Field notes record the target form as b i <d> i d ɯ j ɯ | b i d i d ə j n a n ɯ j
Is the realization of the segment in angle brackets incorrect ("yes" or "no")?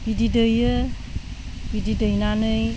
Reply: no